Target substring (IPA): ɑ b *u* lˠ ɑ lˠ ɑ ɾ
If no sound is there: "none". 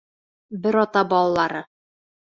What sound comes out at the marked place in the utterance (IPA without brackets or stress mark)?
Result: ɒ